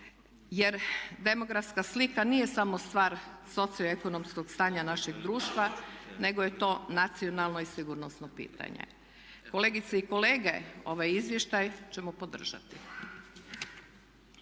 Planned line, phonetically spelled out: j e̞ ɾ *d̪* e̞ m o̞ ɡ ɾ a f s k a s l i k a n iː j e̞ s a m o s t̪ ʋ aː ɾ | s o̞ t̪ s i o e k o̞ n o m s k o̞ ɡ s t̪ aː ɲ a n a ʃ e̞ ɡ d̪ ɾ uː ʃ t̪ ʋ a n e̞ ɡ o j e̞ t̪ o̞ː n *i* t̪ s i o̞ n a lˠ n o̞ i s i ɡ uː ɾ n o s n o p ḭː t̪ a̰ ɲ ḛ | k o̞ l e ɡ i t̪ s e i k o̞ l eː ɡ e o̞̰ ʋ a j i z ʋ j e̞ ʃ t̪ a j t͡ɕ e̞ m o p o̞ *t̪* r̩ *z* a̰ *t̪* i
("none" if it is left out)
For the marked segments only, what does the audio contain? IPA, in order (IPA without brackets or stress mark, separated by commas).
d̪, a, d̪, ʒ, t̪